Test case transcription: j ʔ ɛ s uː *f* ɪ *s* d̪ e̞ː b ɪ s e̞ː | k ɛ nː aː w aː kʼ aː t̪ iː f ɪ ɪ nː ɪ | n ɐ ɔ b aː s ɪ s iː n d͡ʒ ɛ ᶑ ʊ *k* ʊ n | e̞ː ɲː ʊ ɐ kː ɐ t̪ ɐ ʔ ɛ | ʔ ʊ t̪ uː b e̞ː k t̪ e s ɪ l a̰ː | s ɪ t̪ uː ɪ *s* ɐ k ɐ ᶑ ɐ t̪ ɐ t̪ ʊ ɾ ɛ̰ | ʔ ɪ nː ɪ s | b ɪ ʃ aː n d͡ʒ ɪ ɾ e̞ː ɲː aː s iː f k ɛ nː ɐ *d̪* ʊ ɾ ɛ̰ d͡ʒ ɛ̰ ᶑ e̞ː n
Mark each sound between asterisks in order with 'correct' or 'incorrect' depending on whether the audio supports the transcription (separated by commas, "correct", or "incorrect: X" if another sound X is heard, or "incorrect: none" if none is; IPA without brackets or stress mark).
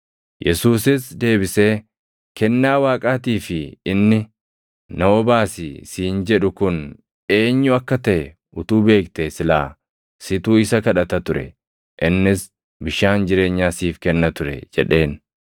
incorrect: s, correct, correct, correct, incorrect: t̪